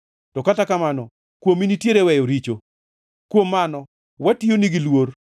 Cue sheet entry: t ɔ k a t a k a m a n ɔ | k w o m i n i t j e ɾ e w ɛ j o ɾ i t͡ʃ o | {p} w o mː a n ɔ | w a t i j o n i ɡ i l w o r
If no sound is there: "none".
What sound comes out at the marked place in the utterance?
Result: k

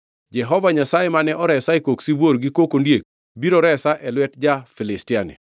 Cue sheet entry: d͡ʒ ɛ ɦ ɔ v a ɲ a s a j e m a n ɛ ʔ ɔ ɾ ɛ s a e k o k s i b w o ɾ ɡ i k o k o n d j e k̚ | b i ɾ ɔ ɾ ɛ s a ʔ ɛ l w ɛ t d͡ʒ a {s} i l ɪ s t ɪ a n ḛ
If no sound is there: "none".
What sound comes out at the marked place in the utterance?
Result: f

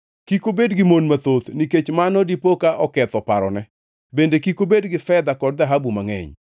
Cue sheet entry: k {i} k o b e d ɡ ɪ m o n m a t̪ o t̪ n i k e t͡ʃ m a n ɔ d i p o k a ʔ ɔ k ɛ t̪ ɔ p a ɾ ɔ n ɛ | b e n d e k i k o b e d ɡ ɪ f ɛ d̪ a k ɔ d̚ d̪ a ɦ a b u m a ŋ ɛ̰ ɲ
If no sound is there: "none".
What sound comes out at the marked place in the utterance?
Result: i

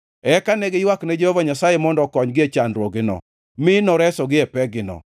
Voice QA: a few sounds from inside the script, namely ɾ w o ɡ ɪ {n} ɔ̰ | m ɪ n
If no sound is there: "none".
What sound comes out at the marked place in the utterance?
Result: n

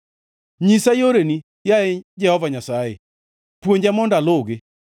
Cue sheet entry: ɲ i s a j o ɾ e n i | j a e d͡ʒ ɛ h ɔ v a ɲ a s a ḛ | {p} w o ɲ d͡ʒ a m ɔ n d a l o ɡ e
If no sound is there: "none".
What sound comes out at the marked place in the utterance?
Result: p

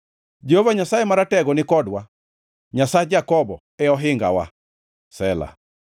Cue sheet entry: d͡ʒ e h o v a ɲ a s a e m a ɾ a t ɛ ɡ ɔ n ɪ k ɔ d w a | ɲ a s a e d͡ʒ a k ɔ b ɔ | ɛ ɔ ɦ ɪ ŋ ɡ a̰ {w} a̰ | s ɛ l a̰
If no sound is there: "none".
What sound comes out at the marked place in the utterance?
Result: w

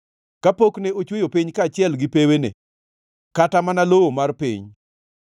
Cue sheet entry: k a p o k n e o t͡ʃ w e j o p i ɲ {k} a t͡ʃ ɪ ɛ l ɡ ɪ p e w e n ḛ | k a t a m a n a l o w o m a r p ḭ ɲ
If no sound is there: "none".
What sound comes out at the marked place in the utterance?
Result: k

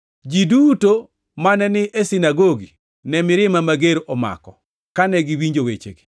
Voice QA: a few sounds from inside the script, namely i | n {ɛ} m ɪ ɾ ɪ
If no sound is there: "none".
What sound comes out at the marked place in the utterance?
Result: ɛ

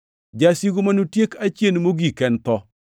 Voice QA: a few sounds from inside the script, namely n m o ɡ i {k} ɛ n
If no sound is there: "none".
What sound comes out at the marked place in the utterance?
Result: k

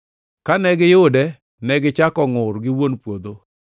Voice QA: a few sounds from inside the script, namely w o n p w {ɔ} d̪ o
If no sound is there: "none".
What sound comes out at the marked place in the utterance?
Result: o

